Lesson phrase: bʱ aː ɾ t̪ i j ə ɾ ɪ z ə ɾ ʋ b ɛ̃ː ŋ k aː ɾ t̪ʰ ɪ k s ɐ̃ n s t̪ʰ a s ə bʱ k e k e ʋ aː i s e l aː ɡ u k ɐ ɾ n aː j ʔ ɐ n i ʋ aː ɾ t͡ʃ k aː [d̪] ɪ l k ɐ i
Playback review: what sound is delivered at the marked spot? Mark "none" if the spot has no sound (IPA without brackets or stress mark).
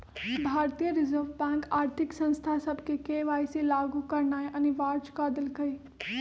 d̪